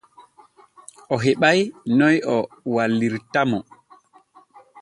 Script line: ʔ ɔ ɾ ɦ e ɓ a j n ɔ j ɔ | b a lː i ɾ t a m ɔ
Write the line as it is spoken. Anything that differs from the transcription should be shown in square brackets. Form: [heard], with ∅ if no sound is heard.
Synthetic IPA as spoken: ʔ ɔ [∅] ɦ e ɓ a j n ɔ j ɔ | [w] a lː i ɾ t a m ɔ